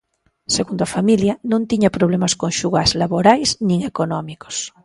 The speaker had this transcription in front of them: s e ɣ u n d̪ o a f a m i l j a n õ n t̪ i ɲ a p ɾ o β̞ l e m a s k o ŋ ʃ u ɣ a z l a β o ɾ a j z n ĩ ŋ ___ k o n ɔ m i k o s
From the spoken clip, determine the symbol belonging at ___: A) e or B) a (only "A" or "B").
A